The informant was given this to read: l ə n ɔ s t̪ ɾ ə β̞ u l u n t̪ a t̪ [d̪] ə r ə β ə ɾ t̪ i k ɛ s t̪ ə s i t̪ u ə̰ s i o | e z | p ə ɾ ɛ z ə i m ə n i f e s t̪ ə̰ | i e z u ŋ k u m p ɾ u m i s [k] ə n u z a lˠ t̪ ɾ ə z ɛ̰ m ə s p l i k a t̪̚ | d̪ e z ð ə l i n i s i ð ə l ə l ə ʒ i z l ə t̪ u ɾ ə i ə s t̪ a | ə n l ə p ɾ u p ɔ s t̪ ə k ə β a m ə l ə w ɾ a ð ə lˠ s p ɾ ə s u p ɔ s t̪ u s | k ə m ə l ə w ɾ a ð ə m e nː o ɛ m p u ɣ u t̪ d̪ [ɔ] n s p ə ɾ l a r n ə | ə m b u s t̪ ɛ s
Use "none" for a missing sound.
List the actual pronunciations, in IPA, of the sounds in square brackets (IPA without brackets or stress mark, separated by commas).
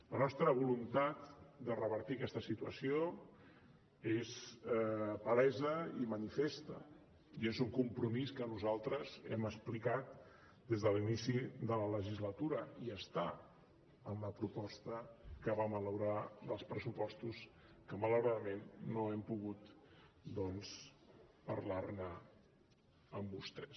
d̪, k, ɔ